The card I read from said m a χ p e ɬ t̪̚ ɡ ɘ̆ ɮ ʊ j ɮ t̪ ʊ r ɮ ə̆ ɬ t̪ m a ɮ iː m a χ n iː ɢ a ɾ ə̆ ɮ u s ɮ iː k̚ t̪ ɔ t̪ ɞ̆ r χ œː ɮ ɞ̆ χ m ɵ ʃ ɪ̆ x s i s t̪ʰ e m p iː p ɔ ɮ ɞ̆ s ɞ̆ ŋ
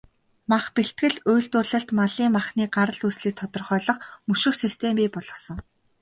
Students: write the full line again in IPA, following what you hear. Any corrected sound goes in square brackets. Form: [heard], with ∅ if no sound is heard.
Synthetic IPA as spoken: m a χ p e ɬ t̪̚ ɡ ɘ̆ ɮ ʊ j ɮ t̪ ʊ r ɮ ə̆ ɬ t̪ m a ɮ iː m a χ n iː ɢ a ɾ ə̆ ɮ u s ɮ iː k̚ [t̪ʰ] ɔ t̪ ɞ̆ r χ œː ɮ ɞ̆ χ m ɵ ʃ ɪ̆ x s i s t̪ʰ e m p iː p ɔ ɮ ɞ̆ s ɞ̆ ŋ